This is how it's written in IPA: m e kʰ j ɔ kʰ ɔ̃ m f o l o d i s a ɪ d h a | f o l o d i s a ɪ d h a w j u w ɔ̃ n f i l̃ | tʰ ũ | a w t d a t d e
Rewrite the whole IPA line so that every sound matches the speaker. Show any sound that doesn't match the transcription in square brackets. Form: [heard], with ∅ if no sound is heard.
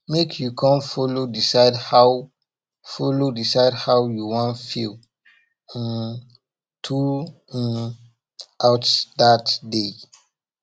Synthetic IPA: m e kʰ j [u] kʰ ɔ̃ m f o l o d i s a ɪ d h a | f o l o d i s a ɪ d h a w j u w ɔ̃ n f i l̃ | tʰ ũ | a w t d a t d e